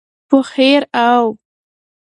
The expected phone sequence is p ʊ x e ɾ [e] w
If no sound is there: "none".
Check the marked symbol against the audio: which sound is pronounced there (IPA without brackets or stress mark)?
a